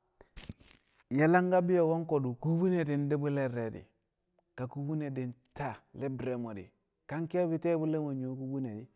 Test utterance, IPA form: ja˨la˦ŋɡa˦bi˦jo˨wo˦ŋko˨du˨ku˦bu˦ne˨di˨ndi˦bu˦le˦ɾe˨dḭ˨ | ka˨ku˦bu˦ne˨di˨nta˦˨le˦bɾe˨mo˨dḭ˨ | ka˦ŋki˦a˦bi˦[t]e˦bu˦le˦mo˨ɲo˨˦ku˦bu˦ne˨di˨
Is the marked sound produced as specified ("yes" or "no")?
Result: yes